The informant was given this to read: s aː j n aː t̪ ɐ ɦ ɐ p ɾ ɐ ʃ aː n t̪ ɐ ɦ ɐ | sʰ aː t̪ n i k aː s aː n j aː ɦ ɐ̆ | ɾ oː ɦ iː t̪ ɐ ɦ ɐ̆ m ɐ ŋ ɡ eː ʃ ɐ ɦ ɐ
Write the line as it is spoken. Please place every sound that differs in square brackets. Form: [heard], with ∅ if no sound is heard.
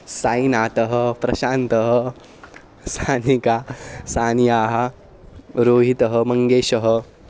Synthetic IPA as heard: s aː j n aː t̪ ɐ ɦ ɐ p ɾ ɐ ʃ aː n t̪ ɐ ɦ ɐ | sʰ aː [∅] n i k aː s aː n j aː ɦ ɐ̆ | ɾ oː ɦ [i] t̪ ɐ ɦ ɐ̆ m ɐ ŋ ɡ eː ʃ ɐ ɦ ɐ